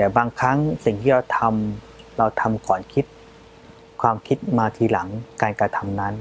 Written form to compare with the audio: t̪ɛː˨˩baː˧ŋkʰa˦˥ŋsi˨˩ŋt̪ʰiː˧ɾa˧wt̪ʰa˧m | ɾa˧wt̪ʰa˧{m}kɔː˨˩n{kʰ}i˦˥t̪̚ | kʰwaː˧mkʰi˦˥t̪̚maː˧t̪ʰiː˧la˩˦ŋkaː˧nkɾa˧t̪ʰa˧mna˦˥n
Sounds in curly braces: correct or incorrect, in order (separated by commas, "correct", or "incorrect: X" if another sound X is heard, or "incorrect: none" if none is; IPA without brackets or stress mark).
correct, correct